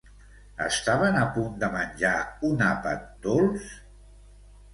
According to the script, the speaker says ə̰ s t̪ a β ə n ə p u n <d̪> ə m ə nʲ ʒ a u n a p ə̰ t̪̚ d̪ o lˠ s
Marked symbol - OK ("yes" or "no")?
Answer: yes